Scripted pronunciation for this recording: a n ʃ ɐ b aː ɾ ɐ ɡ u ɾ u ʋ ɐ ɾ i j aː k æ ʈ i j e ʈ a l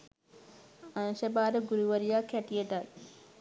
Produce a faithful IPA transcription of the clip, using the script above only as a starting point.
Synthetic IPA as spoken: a n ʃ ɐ b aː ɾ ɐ ɡ u ɾ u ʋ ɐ ɾ i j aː k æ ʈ i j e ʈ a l